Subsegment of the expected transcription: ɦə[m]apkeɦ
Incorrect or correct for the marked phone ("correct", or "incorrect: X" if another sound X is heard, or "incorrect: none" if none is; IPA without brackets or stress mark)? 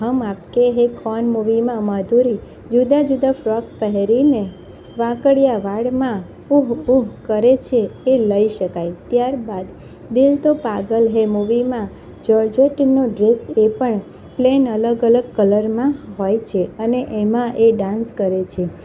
correct